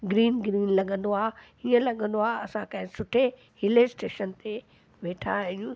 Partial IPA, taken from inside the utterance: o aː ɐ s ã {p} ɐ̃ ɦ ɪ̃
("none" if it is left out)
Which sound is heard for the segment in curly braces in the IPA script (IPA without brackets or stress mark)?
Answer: k